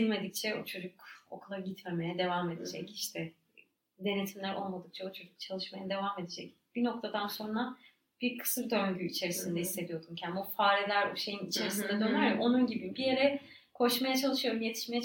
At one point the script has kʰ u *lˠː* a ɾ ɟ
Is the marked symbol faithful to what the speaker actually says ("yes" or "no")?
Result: no